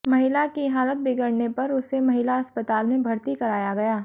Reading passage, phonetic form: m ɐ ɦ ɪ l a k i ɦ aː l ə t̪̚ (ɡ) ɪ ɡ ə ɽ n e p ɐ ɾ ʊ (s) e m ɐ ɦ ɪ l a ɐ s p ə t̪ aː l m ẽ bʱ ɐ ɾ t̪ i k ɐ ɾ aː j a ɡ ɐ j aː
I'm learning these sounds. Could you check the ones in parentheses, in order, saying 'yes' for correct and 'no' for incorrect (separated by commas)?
no, yes